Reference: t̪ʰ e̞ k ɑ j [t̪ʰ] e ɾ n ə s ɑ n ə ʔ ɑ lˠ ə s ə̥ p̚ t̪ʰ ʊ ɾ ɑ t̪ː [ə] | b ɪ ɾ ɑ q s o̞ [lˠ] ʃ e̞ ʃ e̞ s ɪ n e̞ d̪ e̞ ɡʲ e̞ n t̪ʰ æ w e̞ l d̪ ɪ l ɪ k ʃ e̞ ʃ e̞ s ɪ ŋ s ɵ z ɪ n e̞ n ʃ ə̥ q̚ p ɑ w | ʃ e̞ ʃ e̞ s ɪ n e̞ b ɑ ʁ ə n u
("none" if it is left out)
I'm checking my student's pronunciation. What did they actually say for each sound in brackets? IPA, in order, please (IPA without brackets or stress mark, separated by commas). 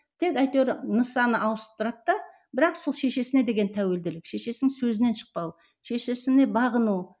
t̪, ɑ, lˠ